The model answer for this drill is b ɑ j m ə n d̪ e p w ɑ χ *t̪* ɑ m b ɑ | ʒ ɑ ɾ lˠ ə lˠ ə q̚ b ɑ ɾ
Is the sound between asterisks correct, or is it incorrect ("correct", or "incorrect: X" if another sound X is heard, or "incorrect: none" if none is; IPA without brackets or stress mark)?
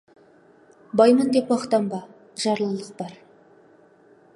correct